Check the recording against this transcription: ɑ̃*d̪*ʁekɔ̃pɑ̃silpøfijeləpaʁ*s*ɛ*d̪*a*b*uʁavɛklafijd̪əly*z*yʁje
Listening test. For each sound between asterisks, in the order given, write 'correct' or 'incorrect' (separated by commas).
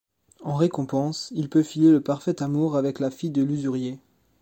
incorrect, incorrect, incorrect, incorrect, correct